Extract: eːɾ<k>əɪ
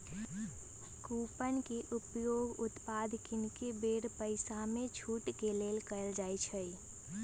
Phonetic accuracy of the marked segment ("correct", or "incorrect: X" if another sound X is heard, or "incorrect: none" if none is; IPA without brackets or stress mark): incorrect: p